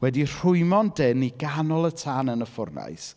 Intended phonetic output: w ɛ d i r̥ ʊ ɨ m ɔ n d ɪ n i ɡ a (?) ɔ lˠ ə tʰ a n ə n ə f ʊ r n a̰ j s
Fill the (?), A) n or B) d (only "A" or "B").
A